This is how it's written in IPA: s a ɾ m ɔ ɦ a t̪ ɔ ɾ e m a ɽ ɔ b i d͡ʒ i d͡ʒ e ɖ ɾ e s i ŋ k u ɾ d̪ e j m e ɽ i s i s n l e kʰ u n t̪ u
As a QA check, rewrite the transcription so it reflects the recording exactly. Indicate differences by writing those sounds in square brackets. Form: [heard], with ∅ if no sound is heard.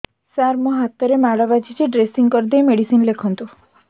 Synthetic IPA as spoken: s a ɾ m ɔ ɦ a t̪ ɔ ɾ e m a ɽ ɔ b [a] d͡ʒ i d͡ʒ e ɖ ɾ e s i ŋ k [ɔ] ɾ d̪ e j m e ɽ i s i [∅] n l e kʰ [ɔ] n t̪ u